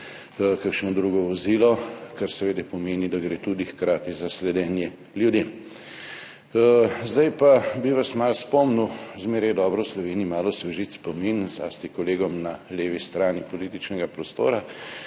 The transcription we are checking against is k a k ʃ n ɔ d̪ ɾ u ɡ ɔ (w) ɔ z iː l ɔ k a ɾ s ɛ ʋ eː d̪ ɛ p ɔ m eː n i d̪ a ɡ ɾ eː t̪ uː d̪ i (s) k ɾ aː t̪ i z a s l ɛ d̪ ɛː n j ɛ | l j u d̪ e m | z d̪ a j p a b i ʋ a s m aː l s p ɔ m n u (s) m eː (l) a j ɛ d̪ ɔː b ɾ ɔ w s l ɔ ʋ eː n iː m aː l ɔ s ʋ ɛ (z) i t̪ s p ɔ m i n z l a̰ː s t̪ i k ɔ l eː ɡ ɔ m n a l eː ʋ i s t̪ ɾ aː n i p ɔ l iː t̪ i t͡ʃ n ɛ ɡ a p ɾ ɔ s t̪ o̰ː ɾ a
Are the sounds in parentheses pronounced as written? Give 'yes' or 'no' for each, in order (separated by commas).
no, no, no, no, no